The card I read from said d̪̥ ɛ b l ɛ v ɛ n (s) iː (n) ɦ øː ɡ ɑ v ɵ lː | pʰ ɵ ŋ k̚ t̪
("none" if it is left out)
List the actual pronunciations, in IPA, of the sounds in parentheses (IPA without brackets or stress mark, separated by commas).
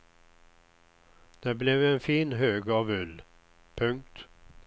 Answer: f, n